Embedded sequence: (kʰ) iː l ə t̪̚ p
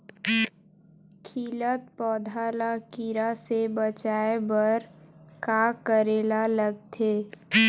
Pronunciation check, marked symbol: correct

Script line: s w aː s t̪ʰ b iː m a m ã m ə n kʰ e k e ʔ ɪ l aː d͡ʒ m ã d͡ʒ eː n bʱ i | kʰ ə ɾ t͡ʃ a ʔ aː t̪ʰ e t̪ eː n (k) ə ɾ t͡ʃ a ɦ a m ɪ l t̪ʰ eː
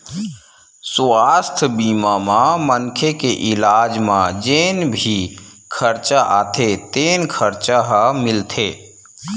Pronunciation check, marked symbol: incorrect: kʰ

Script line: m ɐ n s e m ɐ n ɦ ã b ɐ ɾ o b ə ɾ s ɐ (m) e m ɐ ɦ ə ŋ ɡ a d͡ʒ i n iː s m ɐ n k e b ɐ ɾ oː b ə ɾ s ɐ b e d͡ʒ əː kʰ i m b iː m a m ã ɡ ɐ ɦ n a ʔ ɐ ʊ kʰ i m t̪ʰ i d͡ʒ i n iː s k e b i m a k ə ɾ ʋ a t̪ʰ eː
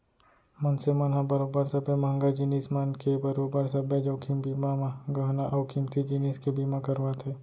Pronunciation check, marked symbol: incorrect: b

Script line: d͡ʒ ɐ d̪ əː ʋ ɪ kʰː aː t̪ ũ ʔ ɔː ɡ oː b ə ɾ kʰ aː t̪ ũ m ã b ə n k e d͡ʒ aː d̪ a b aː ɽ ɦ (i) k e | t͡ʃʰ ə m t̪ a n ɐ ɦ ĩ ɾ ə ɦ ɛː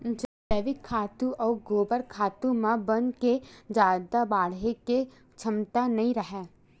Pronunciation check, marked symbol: incorrect: e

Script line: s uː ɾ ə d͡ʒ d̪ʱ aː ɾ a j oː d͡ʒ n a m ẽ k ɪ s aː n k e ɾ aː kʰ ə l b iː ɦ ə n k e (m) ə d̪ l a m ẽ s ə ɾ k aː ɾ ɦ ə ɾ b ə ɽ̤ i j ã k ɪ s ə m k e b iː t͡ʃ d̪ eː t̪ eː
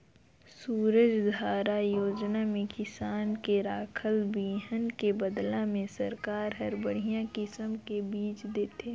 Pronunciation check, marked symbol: incorrect: b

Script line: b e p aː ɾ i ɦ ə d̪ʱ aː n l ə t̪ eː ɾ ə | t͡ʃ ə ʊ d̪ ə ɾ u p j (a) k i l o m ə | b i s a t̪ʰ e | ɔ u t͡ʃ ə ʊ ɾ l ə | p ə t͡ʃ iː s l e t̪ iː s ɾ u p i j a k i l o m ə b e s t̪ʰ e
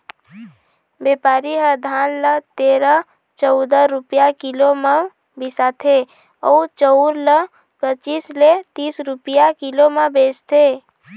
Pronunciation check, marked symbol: correct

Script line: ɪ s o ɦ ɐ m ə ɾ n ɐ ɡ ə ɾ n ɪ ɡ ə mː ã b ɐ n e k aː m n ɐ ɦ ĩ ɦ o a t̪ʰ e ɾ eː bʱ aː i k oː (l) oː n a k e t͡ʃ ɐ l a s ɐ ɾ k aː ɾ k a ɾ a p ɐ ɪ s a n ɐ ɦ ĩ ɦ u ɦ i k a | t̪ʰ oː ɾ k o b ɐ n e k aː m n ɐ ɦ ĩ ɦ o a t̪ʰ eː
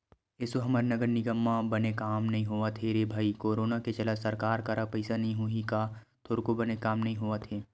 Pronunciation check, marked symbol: incorrect: ɾ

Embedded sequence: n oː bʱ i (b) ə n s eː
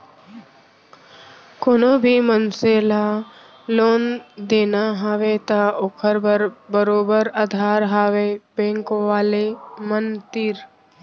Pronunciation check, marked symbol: incorrect: m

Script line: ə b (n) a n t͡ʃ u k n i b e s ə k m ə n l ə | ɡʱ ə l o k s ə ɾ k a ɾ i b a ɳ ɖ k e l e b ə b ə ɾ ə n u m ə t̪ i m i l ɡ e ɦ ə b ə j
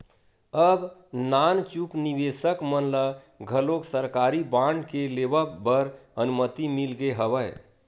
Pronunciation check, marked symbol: correct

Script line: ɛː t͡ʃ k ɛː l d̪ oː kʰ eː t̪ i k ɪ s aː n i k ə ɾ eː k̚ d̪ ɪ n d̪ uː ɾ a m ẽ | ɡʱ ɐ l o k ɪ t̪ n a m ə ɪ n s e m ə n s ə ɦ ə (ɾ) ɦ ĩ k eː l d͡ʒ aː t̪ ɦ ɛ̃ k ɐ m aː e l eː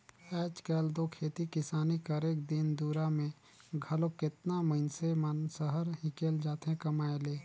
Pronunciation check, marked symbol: correct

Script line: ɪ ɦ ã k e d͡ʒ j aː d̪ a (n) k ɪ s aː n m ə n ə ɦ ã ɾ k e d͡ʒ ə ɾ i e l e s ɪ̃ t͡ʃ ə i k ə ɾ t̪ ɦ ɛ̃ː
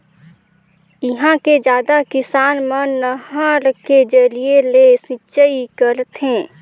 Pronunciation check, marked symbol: incorrect: none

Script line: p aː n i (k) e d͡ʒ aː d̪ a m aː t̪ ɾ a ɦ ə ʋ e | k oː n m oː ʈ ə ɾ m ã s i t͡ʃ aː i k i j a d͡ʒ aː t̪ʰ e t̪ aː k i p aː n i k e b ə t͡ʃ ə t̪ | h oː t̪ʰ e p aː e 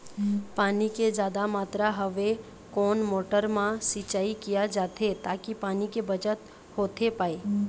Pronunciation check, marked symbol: correct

